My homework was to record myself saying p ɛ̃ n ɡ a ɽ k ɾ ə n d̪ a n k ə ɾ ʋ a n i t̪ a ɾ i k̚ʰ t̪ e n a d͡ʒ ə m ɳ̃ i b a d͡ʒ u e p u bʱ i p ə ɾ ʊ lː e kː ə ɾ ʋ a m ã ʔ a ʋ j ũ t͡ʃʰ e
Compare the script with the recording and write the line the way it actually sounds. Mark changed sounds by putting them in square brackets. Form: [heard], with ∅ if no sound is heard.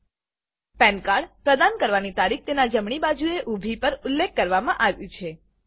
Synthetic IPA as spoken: p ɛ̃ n [k] a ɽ [p] ɾ ə [∅] d̪ a n k ə ɾ ʋ a n i t̪ a ɾ i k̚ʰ t̪ e n a d͡ʒ ə m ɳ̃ i b a d͡ʒ u e [ʔ] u bʱ i p ə ɾ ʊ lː e kː ə ɾ ʋ a m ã ʔ a ʋ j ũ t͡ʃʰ e